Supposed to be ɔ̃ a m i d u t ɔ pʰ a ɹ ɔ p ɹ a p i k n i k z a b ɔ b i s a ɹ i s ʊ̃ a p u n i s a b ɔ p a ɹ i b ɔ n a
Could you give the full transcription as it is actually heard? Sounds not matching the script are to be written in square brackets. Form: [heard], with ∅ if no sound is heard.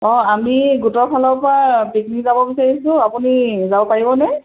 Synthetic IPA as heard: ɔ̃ a m i [ɡ] u t ɔ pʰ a [l] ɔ p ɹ a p i k n i k z a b ɔ b i s a ɹ i s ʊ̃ a p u n i [z] a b ɔ p a ɹ i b ɔ n [ɛ]